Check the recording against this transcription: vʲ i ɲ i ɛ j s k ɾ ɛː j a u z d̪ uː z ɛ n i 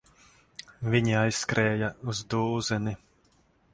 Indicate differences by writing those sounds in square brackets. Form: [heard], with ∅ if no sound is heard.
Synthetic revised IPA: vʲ i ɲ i [a] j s k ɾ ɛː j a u z d̪ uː z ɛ n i